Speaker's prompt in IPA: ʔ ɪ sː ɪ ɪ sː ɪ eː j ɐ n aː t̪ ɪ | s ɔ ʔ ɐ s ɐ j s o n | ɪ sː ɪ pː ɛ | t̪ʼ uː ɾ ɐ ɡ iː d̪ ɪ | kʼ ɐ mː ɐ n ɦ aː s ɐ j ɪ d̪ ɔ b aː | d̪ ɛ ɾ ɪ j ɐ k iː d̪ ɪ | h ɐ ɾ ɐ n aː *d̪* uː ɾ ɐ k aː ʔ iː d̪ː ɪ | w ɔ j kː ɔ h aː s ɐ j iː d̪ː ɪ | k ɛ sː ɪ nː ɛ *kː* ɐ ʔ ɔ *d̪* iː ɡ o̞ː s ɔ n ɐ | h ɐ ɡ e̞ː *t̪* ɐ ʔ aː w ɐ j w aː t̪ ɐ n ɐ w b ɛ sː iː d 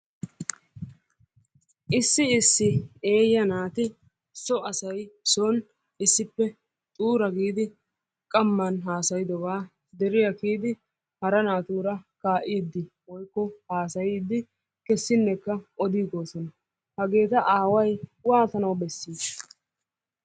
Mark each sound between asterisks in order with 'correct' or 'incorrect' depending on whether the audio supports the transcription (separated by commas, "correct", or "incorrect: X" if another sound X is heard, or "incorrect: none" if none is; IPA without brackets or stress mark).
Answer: incorrect: t̪, correct, correct, correct